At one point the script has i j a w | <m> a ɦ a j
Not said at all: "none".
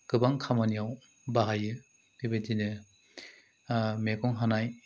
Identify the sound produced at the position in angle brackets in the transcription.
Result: b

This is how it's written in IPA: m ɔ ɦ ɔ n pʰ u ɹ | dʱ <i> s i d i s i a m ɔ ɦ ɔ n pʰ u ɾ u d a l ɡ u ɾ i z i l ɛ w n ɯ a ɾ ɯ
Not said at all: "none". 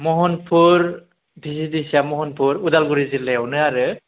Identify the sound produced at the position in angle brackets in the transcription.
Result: i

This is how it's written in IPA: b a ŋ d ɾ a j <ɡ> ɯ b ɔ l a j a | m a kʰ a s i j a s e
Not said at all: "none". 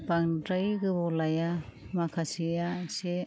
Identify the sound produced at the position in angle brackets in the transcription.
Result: ɡ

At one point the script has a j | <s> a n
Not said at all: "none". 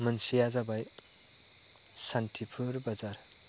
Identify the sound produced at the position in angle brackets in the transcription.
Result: s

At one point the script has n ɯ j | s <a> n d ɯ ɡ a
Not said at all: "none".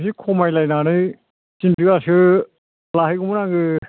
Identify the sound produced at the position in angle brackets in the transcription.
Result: i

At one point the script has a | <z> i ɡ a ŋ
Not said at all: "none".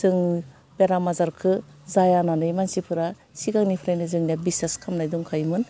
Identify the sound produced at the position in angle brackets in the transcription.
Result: s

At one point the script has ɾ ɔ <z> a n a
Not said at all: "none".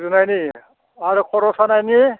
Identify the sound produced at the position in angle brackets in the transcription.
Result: s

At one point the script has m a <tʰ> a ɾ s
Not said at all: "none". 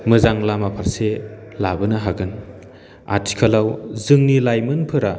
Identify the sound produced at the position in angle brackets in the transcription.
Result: pʰ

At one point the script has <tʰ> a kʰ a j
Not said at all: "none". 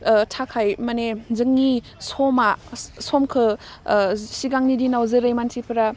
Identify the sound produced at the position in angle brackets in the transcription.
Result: tʰ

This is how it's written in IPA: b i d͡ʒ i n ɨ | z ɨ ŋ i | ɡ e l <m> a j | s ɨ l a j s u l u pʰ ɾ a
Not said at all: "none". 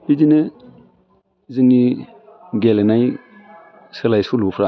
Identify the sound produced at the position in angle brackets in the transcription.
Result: n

